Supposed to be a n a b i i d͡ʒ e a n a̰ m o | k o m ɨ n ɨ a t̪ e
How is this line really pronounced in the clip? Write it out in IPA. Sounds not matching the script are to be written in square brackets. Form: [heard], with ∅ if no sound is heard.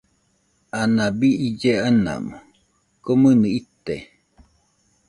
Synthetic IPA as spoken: a n a b i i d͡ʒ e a n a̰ m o | k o m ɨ n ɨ [i] t̪ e